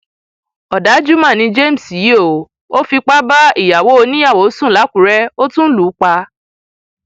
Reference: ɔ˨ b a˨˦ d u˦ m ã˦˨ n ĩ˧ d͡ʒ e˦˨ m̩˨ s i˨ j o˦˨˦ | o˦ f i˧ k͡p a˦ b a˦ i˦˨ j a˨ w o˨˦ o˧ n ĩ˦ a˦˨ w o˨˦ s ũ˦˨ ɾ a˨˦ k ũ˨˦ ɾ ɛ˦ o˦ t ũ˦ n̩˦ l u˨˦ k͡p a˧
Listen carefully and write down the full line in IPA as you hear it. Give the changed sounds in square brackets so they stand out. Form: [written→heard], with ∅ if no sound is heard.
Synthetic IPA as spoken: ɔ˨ [b→d] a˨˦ [d→d͡ʒ] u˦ m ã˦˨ n ĩ˧ d͡ʒ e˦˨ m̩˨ s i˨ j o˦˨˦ | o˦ f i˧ k͡p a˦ b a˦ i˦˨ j a˨ w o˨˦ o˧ n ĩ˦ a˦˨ w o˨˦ s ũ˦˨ [ɾ→l] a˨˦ k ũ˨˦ ɾ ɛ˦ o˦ t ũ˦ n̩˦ l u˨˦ k͡p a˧

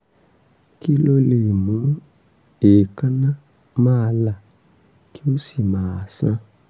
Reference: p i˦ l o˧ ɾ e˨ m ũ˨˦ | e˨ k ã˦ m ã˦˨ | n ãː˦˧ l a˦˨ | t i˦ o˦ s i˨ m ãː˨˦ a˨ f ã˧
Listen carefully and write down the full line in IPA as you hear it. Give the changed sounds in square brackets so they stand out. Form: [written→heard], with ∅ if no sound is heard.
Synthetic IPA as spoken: [p→k] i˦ l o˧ [ɾ→l] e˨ m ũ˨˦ | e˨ k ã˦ [m→n] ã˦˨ | [n→m] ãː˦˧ l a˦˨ | [t→k] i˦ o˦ s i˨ m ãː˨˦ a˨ [f→s] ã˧

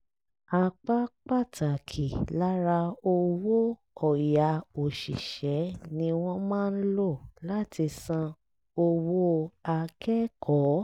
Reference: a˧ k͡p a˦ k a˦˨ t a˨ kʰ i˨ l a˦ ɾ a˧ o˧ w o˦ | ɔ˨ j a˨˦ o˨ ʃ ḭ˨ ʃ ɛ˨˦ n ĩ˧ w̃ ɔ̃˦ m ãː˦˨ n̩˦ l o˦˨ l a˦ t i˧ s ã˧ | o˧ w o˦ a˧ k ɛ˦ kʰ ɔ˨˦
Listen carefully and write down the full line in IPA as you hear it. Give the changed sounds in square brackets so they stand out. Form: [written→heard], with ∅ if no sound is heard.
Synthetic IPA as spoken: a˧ k͡p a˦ [k→k͡p] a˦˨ t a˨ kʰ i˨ l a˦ ɾ a˧ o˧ w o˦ | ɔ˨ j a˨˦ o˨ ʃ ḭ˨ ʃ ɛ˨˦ n ĩ˧ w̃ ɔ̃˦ m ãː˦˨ n̩˦ l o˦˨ l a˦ t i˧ s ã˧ | o˧ w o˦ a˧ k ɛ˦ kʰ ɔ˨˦

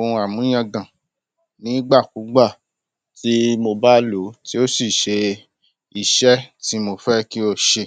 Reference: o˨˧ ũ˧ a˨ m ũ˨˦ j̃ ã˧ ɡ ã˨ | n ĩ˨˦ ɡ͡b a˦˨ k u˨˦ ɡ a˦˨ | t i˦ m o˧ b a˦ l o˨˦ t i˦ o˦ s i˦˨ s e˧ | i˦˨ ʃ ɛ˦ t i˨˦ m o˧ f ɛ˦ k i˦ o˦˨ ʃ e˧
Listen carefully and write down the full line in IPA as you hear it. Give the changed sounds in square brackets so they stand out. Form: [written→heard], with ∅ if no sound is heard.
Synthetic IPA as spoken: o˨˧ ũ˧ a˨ m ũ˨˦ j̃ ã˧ ɡ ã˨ | n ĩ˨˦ ɡ͡b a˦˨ k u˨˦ [ɡ→ɡ͡b] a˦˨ | t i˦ m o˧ b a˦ l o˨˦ t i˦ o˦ s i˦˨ [s→ʃ] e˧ | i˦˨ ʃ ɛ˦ t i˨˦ m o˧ f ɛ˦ k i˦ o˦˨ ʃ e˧

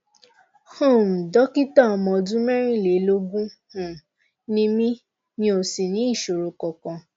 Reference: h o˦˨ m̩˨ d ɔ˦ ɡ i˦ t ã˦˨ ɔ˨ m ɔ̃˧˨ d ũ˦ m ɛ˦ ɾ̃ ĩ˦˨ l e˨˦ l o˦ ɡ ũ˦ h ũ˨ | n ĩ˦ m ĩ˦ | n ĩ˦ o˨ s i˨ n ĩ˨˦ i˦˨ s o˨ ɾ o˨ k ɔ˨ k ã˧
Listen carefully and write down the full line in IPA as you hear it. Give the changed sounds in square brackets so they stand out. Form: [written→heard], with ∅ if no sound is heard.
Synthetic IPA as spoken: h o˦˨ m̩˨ d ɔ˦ [ɡ→k] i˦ t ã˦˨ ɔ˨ m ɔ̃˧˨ d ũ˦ m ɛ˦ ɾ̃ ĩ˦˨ l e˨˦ l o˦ ɡ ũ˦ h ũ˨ | n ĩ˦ m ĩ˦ | n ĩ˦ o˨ s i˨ n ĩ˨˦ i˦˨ [s→ʃ] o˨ ɾ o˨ k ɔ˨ k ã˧

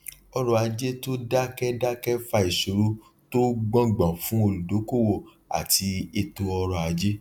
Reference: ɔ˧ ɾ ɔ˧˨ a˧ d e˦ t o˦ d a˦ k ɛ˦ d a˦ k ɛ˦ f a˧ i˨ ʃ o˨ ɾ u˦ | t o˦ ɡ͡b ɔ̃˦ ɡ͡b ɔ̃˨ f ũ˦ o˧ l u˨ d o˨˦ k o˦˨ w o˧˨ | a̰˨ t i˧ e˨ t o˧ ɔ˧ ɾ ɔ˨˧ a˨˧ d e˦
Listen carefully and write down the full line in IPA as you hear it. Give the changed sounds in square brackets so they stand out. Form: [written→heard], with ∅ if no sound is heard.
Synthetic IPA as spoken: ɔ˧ ɾ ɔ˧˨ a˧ [d→d͡ʒ] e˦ t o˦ d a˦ k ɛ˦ d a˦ k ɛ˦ f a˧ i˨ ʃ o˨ ɾ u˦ | t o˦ ɡ͡b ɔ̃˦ ɡ͡b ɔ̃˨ f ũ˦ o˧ l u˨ d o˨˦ k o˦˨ w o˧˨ | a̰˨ t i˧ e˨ t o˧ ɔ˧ ɾ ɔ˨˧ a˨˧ [d→d͡ʒ] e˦

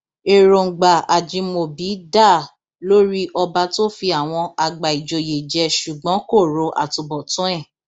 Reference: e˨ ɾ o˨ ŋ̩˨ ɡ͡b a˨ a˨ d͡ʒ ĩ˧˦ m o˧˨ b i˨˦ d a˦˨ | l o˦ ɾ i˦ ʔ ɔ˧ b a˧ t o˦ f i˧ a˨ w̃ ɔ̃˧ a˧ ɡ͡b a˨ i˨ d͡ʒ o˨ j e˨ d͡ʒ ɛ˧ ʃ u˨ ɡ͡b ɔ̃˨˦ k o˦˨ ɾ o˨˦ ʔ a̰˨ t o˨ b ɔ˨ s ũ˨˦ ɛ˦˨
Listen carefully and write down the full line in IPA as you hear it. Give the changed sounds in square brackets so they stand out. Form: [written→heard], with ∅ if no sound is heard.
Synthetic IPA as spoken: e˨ ɾ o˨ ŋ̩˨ ɡ͡b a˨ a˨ d͡ʒ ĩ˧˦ m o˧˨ b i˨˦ d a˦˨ | l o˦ ɾ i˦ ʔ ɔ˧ b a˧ t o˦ f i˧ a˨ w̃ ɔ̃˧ a˧ ɡ͡b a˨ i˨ d͡ʒ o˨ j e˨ d͡ʒ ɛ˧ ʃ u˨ ɡ͡b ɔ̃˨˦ k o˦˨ ɾ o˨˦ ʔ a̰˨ t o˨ b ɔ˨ [s→t] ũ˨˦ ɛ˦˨

